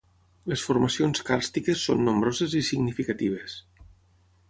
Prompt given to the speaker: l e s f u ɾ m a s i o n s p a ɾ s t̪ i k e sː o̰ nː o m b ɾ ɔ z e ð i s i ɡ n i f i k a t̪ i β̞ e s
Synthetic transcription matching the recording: l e s f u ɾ m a s i o n s k a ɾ s t̪ i k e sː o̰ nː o m b ɾ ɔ z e z i s i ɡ n i f i k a t̪ i β̞ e s